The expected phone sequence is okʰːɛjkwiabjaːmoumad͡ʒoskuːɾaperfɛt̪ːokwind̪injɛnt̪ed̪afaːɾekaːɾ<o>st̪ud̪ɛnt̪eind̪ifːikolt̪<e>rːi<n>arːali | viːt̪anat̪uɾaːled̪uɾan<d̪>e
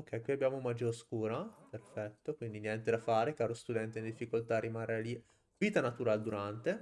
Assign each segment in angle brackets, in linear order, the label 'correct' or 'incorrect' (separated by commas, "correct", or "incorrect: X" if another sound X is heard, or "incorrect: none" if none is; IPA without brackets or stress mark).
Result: correct, incorrect: a, incorrect: m, incorrect: t̪